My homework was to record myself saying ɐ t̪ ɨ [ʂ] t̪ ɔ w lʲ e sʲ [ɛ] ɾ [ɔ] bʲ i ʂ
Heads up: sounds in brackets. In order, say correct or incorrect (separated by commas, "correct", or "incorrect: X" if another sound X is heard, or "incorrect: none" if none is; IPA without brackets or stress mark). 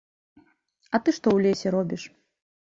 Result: correct, correct, correct